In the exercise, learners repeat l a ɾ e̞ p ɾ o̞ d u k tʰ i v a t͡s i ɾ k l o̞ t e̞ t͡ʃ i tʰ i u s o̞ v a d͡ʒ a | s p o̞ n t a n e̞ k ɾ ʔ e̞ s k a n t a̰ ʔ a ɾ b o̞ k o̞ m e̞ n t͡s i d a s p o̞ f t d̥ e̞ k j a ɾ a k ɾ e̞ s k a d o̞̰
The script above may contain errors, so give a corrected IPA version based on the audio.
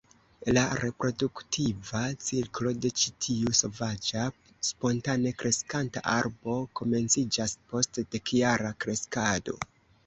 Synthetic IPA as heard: l a ɾ e̞ p ɾ o̞ d u k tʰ i v a t͡s i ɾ k l o̞ d e̞ t͡ʃ i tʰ i u s o̞ v a d͡ʒ a | s p o̞ n t a n e̞ k ɾ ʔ e̞ s k a n t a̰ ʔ a ɾ b o̞ k o̞ m e̞ n t͡s i d͡ʒ a s p o̞ s t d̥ e̞ k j a ɾ a k ɾ e̞ s k a d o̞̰